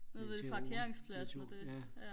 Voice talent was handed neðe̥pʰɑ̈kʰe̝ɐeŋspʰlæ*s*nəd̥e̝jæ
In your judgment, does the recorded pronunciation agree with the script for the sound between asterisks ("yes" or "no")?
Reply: yes